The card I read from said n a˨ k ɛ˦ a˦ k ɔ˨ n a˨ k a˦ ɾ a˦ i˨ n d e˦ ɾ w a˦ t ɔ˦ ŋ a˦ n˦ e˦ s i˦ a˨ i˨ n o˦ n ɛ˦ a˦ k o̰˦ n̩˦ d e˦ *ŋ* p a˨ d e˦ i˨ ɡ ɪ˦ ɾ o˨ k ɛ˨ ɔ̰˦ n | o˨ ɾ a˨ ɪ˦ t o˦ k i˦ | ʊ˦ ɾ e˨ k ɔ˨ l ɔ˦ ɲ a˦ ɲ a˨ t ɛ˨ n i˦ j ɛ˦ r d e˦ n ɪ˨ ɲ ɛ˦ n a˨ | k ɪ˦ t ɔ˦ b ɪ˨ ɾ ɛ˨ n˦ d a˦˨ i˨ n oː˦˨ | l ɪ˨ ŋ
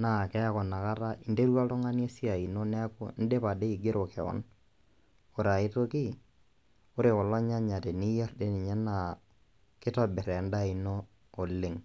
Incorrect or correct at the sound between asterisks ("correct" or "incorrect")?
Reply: incorrect